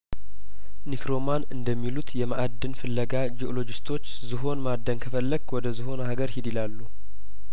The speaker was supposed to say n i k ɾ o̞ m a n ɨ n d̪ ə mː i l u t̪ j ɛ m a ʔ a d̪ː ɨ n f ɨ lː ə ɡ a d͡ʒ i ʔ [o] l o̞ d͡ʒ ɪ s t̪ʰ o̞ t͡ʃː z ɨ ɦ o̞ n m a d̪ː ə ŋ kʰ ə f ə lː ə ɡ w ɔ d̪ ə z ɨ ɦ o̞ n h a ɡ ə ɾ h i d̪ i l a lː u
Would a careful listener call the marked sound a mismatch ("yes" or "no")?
no